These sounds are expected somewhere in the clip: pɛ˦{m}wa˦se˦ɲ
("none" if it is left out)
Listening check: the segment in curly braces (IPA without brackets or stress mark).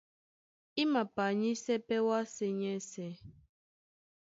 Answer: none